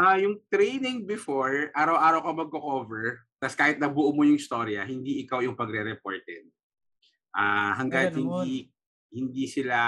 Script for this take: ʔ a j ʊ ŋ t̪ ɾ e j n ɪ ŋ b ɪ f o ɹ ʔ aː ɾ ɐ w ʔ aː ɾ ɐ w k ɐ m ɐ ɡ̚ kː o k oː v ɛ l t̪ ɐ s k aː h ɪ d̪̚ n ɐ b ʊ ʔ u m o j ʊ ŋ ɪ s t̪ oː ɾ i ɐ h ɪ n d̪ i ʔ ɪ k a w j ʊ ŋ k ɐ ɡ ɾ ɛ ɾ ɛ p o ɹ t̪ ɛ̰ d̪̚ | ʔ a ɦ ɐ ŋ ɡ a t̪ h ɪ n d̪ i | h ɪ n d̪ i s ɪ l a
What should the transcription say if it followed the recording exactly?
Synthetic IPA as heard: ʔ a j ʊ ŋ t̪ ɾ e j n ɪ ŋ b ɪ f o ɹ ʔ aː ɾ ɐ w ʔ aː ɾ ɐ w k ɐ m ɐ ɡ̚ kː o k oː v ɛ ɹ t̪ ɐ s k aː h ɪ t̪̚ n ɐ b ʊ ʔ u m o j ʊ ŋ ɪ s t̪ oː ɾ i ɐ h ɪ n d̪ i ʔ ɪ k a w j ʊ ŋ p ɐ ɡ ɾ ɛ ɾ ɛ p o ɹ t̪ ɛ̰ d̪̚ | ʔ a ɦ ɐ ŋ ɡ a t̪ h ɪ n d̪ i | h ɪ n d̪ i s ɪ l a